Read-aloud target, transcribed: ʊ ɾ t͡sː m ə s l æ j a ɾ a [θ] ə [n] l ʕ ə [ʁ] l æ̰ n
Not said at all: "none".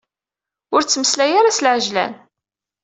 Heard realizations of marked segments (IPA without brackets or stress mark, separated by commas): s, none, ʒ